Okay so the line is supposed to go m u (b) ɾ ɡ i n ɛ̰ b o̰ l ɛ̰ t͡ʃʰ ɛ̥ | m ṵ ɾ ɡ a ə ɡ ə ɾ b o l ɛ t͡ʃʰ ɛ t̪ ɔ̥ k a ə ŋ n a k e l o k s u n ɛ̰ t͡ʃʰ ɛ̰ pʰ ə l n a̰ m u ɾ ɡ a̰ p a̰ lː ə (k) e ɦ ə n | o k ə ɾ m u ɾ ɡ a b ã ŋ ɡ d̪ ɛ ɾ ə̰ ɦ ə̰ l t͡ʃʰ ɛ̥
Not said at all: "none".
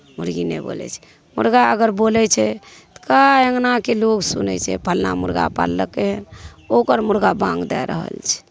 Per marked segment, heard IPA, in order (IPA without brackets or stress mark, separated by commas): none, k